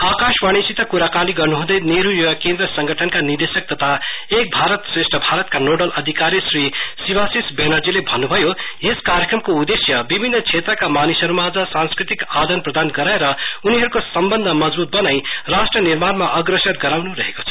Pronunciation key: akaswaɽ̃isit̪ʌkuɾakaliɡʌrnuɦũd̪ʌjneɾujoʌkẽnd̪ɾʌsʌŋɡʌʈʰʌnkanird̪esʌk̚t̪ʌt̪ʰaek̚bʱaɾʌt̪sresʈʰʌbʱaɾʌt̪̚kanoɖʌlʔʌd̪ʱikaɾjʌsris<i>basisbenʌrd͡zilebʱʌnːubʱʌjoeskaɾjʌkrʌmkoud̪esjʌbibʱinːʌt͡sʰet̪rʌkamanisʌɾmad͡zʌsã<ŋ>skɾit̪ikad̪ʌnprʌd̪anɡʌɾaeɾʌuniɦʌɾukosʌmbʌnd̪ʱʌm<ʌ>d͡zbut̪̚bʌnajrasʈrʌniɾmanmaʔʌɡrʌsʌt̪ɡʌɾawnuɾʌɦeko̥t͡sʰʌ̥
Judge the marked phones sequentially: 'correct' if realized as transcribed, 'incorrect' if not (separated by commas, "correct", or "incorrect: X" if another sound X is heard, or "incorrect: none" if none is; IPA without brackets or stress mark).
correct, incorrect: n, correct